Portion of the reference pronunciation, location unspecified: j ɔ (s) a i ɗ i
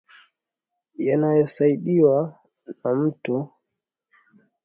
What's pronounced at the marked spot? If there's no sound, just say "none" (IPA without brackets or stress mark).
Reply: s